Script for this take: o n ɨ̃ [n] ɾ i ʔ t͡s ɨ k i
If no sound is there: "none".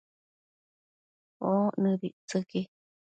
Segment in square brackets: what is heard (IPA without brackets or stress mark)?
none